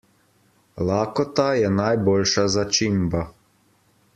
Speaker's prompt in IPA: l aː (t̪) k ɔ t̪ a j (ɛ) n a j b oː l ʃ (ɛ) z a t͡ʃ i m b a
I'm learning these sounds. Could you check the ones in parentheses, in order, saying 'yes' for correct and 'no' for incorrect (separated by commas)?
no, yes, no